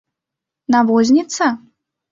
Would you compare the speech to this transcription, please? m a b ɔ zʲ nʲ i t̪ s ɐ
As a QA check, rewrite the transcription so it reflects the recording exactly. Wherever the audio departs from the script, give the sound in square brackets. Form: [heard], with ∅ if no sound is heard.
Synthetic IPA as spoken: [n] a [v] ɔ zʲ nʲ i t̪ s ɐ